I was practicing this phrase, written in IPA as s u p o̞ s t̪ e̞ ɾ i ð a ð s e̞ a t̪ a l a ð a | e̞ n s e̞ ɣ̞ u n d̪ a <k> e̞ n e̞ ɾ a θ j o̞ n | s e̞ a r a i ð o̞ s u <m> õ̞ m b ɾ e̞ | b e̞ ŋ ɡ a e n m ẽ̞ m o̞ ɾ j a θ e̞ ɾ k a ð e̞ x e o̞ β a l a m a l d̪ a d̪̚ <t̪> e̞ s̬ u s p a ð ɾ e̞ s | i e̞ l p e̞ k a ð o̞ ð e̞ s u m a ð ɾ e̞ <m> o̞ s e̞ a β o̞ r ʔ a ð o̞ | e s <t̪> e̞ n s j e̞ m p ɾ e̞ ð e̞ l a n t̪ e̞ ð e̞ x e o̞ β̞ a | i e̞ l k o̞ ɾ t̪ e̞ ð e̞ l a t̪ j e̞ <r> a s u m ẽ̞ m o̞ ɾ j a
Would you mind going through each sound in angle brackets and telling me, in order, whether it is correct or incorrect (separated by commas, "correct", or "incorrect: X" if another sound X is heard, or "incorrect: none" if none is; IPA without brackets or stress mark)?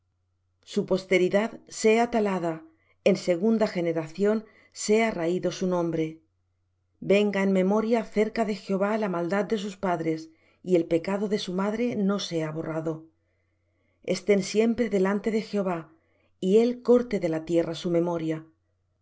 incorrect: x, incorrect: n, incorrect: d̪, incorrect: n, correct, correct